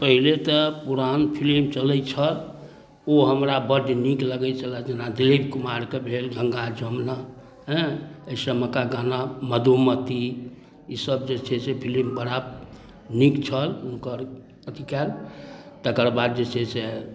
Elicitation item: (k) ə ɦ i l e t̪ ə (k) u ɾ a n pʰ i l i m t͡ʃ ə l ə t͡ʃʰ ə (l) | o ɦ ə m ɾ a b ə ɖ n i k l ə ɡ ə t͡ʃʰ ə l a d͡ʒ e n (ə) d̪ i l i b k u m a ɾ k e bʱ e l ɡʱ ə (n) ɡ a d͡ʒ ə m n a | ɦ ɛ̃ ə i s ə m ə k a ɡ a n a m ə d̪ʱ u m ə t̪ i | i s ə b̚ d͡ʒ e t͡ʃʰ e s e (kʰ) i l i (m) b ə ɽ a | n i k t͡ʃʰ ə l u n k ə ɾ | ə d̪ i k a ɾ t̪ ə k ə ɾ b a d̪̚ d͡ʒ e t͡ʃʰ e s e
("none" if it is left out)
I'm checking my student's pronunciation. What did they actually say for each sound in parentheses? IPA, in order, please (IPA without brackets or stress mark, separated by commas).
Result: p, p, l, a, ŋ, pʰ, m